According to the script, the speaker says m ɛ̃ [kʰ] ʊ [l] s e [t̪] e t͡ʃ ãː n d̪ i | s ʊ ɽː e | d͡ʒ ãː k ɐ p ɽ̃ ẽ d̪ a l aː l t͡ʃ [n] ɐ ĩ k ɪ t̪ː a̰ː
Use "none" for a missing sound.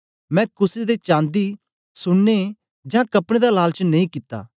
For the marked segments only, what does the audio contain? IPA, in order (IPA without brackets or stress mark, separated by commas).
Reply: k, none, d̪, n